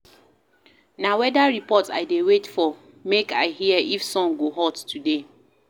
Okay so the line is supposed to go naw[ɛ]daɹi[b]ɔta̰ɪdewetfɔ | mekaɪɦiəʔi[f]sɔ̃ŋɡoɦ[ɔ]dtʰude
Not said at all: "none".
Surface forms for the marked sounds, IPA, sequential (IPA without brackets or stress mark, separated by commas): ɛ, p, f, ɔ